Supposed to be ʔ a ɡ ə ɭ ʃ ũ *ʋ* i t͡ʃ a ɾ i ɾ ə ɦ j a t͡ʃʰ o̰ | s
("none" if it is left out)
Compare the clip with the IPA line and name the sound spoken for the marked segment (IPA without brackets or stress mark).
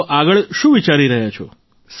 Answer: ʋ